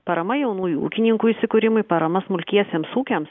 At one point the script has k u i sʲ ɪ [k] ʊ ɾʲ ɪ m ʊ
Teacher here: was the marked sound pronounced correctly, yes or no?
yes